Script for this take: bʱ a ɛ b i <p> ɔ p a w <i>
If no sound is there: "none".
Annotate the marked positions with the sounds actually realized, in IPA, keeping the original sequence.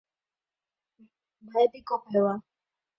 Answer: k, a

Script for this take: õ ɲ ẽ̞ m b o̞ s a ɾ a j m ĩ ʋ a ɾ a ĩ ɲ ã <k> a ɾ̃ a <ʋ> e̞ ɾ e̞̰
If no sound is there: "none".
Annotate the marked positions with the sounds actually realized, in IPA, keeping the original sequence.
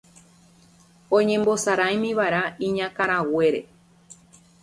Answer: k, w

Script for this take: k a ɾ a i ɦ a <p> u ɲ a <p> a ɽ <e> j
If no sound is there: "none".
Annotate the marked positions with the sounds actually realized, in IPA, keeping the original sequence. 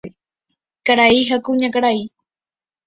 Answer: k, k, a

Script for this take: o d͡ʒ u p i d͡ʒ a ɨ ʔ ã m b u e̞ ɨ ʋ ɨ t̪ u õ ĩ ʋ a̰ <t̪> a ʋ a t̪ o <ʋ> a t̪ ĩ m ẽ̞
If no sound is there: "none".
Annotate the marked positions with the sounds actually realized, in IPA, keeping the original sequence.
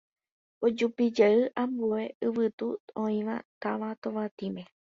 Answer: t̪, ʋ

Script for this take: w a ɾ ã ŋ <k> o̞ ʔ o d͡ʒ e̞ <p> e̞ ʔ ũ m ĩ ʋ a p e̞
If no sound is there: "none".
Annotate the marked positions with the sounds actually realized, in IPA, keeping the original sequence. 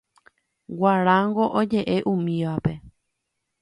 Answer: ɡ, ʔ

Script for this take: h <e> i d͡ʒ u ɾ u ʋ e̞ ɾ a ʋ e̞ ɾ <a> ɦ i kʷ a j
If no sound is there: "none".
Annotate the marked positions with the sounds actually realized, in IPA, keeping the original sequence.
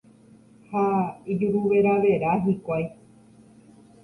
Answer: a, a

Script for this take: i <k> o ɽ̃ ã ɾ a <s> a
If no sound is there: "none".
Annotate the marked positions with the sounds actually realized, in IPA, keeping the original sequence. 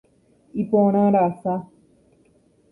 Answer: p, s

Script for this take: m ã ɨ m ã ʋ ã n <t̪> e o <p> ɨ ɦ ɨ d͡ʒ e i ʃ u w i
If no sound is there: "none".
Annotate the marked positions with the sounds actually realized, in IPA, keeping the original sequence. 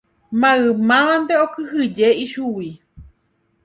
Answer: d̪, k

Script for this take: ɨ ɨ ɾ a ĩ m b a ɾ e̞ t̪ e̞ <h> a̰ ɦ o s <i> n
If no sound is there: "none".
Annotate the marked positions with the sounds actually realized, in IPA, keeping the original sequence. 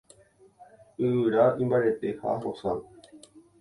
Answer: h, a

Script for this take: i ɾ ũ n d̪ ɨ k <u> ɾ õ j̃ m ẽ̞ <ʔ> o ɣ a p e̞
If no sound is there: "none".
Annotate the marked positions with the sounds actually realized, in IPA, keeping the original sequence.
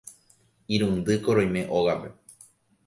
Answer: o, ʔ

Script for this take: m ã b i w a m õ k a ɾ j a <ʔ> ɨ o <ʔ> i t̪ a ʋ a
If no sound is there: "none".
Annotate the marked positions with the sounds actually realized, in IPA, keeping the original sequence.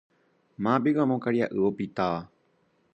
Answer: ʔ, p

